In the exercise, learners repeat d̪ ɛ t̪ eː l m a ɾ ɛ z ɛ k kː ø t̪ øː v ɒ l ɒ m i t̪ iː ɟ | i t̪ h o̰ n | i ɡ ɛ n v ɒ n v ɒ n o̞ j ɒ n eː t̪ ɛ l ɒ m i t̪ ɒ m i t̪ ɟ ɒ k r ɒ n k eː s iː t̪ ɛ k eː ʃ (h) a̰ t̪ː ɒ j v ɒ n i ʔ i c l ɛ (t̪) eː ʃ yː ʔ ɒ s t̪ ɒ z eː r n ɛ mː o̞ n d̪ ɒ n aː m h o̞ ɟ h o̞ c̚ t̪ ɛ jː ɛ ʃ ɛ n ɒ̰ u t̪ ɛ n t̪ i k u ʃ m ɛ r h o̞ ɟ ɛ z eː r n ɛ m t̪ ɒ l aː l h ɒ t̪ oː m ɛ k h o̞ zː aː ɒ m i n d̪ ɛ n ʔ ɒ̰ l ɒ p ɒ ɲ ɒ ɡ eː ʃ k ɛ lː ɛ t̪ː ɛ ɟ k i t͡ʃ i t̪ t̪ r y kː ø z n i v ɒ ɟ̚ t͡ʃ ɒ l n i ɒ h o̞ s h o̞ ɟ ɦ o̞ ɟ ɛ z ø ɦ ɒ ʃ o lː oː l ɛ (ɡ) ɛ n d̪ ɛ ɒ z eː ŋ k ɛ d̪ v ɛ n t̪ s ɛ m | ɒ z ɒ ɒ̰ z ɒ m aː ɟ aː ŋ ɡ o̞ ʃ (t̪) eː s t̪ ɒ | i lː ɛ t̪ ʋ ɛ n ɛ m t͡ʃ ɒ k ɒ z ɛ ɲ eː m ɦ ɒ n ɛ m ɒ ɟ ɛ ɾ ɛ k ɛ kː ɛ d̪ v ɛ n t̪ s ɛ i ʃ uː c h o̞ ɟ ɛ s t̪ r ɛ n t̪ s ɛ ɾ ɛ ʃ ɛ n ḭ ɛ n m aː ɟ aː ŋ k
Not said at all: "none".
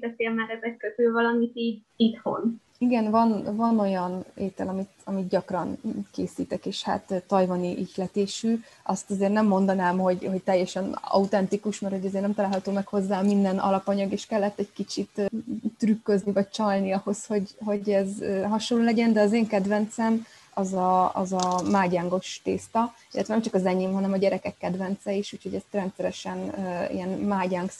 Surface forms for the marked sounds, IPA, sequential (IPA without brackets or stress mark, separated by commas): h, t̪, ɟ, t̪